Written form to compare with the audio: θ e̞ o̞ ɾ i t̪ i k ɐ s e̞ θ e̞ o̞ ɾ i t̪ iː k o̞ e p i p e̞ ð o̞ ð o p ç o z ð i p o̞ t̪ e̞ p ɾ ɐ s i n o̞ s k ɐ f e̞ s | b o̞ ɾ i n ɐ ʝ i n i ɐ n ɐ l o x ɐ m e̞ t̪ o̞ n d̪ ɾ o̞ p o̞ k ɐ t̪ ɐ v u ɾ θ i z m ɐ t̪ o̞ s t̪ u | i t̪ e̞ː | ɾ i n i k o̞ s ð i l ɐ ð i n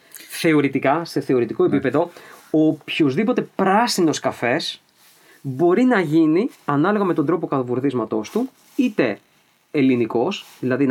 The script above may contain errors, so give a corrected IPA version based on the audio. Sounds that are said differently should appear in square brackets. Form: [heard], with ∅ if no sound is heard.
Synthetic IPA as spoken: θ e̞ o̞ ɾ i t̪ i k ɐ s e̞ θ e̞ o̞ ɾ i t̪ [i] k o̞ e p i p e̞ ð o̞ [∅] o p ç o z ð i p o̞ t̪ e̞ p ɾ ɐ s i n o̞ s k ɐ f e̞ s | b o̞ ɾ i n ɐ ʝ i n i ɐ n ɐ l o [ɣ] ɐ m e̞ t̪ o̞ n d̪ ɾ o̞ p o̞ k ɐ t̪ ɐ v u ɾ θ i z m ɐ t̪ o̞ s t̪ u | i t̪ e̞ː | [l] i n i k o̞ s ð i l ɐ ð i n